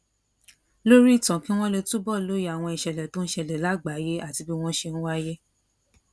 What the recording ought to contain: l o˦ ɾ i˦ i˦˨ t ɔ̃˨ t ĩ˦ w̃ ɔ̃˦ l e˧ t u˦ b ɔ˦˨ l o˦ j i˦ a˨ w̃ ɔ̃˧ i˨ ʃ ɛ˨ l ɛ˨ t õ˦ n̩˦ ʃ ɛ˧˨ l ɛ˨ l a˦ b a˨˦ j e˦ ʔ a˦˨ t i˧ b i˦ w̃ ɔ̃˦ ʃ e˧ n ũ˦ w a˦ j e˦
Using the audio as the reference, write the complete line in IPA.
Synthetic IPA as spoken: l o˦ ɾ i˦ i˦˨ t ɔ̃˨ k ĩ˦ w̃ ɔ̃˦ l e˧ t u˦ b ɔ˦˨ l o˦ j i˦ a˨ w̃ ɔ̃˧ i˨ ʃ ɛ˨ l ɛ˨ t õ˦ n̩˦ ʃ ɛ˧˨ l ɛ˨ l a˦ ɡ͡b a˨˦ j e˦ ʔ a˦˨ t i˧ b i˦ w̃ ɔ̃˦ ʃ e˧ n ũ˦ w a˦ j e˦